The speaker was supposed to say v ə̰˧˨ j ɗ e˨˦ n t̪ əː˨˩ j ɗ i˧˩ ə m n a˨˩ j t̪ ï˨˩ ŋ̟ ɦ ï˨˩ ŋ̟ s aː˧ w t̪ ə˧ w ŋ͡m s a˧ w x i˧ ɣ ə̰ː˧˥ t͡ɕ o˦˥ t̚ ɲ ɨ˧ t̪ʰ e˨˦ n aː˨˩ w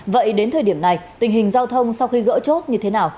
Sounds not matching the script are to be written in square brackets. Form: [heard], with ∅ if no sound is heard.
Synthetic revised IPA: v ə̰˧˨ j ɗ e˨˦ n [t̪ʰ] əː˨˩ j ɗ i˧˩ ə m n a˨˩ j t̪ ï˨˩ ŋ̟ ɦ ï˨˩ ŋ̟ [z] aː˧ w [t̪ʰ] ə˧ w ŋ͡m s a˧ w x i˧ ɣ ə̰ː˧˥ t͡ɕ o˦˥ t̚ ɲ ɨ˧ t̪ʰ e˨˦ n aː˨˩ w